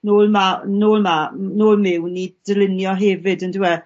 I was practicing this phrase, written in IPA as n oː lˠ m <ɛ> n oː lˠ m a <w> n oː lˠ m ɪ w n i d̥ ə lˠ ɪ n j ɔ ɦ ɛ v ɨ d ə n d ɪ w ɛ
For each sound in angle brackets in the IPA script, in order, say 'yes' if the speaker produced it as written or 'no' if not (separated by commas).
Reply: no, no